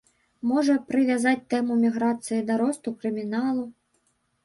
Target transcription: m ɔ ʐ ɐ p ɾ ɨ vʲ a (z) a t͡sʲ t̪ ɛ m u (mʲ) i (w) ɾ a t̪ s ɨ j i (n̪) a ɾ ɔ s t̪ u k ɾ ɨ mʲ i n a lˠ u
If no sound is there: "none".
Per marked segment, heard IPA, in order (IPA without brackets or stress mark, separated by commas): z, mʲ, ɣ, d̪